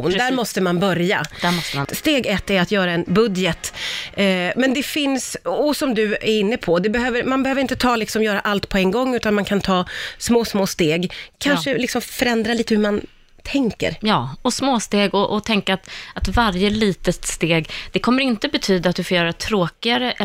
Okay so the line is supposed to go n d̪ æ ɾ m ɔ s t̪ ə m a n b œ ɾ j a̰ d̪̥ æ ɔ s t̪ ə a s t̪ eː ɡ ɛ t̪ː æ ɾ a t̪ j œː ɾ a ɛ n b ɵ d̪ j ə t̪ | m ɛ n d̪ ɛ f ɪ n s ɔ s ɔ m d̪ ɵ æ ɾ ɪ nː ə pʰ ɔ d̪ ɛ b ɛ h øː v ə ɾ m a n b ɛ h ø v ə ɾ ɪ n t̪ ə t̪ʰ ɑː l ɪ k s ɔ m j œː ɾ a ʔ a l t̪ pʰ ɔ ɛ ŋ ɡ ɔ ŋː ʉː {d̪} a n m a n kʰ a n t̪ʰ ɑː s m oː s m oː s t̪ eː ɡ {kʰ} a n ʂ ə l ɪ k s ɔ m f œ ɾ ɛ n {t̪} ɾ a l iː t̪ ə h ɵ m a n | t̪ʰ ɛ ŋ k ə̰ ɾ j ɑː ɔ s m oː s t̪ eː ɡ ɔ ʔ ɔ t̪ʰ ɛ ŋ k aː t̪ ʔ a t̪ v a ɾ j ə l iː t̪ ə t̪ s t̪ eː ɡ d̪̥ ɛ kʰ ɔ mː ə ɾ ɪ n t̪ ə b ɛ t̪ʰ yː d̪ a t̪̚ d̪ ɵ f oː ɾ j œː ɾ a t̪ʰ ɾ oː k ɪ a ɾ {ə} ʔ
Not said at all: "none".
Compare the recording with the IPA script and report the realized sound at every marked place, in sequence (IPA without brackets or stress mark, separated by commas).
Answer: t̪, kʰ, d̪, ə